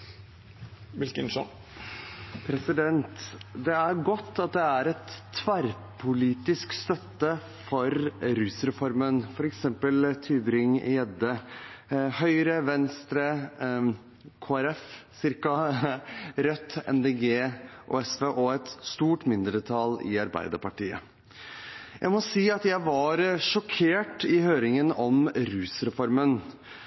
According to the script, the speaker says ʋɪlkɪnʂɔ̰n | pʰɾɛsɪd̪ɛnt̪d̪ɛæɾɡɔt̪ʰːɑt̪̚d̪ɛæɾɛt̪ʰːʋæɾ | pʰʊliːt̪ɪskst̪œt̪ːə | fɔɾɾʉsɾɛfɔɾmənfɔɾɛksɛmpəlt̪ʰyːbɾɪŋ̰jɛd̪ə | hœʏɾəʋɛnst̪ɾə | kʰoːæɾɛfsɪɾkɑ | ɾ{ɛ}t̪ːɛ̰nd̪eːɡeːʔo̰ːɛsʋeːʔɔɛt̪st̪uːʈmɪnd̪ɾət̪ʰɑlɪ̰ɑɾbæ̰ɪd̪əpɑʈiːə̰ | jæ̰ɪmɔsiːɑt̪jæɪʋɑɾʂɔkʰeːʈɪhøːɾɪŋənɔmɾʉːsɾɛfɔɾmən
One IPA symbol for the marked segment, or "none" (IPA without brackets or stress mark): œ